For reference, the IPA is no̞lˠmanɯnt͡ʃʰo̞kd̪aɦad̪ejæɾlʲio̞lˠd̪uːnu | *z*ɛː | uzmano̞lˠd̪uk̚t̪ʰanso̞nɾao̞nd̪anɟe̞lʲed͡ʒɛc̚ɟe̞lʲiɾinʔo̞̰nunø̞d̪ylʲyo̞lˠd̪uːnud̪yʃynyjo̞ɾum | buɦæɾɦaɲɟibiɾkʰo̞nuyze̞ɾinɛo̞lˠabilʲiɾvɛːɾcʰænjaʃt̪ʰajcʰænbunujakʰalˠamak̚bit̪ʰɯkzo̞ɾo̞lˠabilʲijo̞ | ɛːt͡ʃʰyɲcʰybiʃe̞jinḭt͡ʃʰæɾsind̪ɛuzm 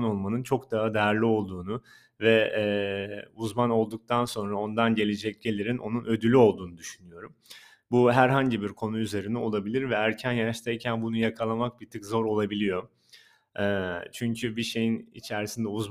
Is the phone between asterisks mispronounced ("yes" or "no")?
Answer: yes